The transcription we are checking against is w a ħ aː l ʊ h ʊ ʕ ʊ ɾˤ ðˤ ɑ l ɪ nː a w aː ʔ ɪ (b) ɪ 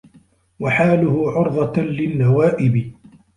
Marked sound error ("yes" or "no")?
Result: no